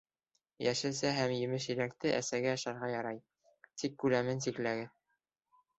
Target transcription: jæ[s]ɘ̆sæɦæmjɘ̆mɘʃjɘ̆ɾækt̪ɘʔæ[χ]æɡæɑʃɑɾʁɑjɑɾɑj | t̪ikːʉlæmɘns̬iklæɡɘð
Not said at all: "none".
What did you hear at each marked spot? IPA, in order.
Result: ʃ, s

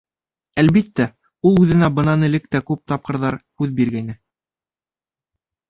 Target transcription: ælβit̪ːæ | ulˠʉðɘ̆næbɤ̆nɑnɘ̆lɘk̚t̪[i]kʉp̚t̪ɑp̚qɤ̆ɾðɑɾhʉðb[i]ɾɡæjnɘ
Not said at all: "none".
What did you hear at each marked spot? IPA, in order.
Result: æ, i

